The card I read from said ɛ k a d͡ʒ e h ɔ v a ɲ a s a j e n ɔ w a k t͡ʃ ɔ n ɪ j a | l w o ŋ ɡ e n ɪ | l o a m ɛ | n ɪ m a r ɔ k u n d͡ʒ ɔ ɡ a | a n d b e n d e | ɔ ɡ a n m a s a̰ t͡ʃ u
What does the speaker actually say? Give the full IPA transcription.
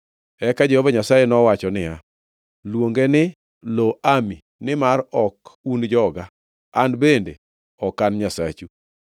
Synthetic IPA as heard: ɛ k a d͡ʒ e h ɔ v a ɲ a s a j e n ɔ w a t͡ʃ ɔ n ɪ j a | l w o ŋ ɡ e n ɪ | l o a m i | n ɪ m a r ɔ k u n d͡ʒ ɔ ɡ a | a n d b e n d e | ɔ k a n ɲ a s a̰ t͡ʃ u